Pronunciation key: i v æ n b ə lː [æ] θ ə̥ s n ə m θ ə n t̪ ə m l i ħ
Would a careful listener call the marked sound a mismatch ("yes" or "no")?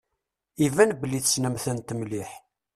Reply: yes